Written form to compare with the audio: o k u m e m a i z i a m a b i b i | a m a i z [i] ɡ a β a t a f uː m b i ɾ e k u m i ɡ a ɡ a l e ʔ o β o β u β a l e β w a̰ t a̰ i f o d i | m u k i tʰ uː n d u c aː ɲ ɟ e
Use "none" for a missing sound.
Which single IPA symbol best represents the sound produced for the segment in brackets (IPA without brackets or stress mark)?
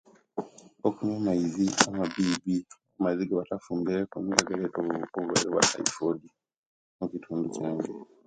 i